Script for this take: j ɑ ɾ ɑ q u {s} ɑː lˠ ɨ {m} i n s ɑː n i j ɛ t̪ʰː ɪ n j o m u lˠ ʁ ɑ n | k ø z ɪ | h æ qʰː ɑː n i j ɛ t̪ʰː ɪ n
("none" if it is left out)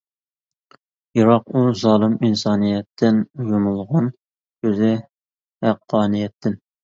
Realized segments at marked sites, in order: z, m

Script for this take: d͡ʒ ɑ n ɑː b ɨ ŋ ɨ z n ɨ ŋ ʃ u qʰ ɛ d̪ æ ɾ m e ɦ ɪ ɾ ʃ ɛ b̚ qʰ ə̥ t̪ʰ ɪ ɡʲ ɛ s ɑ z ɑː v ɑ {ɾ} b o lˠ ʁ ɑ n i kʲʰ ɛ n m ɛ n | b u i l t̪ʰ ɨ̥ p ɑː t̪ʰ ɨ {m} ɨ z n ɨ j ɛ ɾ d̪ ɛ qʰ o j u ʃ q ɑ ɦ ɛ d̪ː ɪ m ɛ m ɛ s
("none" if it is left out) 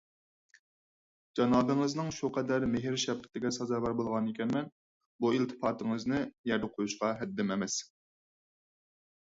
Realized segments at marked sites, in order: ɾ, ŋ

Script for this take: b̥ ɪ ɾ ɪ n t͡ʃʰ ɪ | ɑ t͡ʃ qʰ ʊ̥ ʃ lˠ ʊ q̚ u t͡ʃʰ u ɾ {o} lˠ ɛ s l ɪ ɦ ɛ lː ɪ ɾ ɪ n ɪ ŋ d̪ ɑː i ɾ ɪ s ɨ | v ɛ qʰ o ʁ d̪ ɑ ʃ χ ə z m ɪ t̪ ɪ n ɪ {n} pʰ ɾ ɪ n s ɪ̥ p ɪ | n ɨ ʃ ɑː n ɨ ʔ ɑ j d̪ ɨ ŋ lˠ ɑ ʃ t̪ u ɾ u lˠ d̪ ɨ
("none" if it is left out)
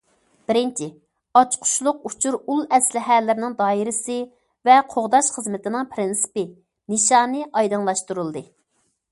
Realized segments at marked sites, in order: u, ŋ

